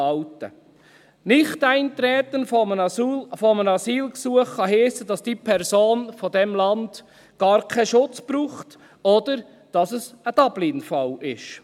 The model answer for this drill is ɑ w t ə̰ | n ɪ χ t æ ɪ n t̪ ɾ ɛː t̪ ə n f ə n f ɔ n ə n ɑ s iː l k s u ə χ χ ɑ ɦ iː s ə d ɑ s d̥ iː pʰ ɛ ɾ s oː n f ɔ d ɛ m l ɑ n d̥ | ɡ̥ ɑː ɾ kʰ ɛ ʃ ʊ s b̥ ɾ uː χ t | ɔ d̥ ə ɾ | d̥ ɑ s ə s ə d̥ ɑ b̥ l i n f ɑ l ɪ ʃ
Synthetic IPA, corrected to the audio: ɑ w t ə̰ | n ɪ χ t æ ɪ n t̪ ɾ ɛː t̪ ə n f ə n f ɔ m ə n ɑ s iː l k s u ə χ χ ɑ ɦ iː s ə d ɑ s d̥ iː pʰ ɛ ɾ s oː n f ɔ d ɛ m l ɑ n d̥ | ɡ̥ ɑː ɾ kʰ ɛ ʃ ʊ t͡s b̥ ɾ uː χ t | ɔ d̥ ə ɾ | d̥ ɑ s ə s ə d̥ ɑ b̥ l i n f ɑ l ɪ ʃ